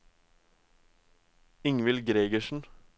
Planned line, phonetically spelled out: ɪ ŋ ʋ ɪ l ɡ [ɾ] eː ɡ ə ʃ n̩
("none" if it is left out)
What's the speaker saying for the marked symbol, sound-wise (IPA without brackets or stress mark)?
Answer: ɾ